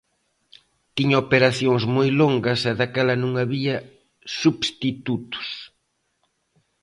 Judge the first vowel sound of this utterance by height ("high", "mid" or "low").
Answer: high